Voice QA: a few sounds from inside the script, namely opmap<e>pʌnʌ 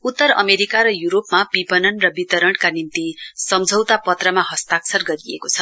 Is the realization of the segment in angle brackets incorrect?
yes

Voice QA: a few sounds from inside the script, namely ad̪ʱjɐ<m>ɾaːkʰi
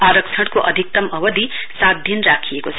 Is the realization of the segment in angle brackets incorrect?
yes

